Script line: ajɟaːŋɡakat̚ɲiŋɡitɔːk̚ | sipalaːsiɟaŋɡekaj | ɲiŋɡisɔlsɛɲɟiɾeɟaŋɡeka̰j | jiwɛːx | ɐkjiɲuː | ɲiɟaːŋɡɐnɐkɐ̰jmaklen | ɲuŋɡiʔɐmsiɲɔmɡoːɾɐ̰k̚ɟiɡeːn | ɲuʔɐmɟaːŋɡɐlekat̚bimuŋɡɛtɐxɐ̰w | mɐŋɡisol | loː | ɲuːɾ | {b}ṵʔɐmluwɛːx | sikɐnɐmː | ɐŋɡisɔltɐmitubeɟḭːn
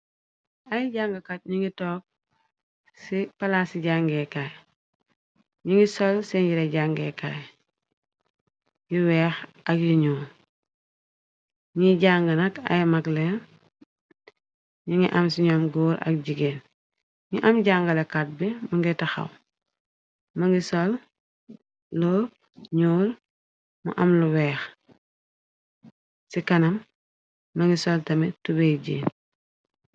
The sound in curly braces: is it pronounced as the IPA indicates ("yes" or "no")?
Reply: no